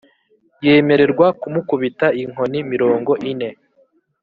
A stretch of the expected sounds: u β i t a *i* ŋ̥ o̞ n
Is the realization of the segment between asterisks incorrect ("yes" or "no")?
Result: no